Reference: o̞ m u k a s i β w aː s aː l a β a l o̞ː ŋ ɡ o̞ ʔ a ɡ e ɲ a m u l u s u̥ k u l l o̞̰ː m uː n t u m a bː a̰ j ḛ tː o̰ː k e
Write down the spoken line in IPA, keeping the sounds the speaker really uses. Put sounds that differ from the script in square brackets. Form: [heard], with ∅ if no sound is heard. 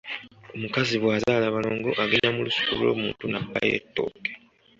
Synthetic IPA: o̞ m u k a [z] i β w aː [z] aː l a β a l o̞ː ŋ ɡ o̞ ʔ a ɡ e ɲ a m u l u s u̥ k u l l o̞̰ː m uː n t u [n] a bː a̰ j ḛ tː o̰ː k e

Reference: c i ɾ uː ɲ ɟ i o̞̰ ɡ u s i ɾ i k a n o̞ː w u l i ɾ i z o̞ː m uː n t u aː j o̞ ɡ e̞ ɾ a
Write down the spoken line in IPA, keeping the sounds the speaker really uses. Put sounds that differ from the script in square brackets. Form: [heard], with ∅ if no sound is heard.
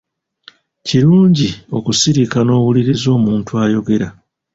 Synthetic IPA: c i ɾ uː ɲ ɟ i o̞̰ [k] u s i ɾ i k a n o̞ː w u l i ɾ i z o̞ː m uː n t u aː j o̞ ɡ e̞ ɾ a

